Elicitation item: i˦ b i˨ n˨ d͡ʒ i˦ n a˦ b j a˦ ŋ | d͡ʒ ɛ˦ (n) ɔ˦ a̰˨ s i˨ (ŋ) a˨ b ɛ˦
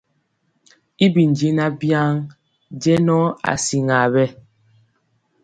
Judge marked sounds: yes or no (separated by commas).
yes, yes